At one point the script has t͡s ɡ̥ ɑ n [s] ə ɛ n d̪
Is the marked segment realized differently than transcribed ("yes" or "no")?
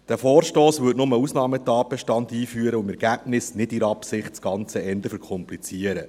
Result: yes